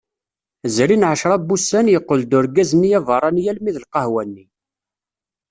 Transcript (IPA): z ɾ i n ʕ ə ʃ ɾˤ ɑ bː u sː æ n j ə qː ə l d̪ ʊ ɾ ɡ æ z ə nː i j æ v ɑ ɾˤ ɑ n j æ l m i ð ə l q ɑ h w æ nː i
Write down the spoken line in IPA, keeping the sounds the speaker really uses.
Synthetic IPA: z ɾ i n ʕ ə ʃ ɾˤ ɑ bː u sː æ n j ə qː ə l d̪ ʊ ɾ ɡ æ z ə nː i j æ v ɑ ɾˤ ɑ n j æ l m i ð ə l q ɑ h w æ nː i